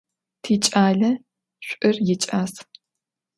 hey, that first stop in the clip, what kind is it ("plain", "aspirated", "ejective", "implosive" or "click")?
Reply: aspirated